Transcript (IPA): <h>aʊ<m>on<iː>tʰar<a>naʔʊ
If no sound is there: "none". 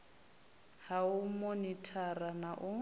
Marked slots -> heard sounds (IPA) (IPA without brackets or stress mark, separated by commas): h, m, i, a